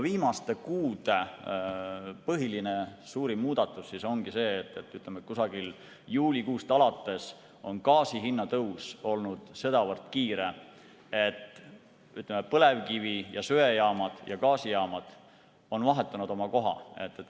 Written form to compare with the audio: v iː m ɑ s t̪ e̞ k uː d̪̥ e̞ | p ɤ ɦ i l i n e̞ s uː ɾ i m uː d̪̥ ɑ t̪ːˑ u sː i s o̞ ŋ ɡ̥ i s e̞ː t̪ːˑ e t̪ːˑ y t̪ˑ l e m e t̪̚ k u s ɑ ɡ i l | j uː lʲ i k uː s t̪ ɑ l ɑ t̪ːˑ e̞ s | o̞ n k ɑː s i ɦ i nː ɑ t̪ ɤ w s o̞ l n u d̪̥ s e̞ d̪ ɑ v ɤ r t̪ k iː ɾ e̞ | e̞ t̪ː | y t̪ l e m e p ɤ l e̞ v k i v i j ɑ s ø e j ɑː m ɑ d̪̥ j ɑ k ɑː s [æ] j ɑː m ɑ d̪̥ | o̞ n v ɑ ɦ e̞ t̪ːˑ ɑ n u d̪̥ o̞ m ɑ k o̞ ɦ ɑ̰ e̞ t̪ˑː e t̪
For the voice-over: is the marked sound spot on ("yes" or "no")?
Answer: no